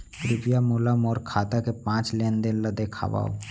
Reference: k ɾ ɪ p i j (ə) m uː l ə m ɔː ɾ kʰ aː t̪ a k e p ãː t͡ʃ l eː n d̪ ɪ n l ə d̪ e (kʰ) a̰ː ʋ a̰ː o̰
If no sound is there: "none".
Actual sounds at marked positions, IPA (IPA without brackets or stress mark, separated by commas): a, kʰ